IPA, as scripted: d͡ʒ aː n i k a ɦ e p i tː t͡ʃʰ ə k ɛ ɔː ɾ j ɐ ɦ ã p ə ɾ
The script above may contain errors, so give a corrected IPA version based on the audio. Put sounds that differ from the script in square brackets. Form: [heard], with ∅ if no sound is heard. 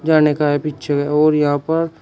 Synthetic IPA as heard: d͡ʒ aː n [e] k a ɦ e p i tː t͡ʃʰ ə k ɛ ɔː ɾ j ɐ ɦ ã p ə ɾ